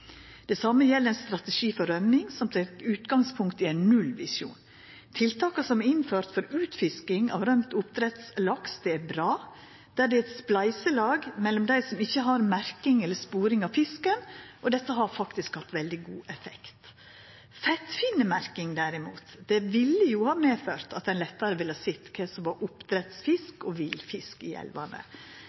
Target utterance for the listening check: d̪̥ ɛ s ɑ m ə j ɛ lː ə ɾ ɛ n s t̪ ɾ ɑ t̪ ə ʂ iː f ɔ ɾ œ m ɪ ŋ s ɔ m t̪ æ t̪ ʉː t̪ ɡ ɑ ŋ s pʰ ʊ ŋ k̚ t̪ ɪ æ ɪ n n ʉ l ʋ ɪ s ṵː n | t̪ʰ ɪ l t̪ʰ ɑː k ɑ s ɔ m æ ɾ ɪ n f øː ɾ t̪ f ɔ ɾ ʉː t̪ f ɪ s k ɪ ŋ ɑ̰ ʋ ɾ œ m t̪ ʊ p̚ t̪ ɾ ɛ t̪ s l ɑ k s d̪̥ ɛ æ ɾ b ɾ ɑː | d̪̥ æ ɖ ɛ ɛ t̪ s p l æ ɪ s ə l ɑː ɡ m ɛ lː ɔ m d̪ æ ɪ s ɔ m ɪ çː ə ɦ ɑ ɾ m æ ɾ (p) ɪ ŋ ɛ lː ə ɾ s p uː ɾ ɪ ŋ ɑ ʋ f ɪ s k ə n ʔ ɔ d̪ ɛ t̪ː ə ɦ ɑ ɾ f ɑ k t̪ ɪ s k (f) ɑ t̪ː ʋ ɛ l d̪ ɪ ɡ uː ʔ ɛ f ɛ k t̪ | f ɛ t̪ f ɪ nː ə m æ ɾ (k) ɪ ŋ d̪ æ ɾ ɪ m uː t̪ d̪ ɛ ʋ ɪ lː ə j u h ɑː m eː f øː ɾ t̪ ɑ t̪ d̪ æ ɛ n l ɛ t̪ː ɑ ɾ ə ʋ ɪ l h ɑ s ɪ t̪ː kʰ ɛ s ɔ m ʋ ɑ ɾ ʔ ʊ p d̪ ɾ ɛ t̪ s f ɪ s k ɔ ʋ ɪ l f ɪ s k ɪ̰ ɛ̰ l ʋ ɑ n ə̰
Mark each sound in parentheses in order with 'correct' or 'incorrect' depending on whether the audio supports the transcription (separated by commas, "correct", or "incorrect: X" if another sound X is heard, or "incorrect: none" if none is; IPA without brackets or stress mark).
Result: incorrect: k, incorrect: h, correct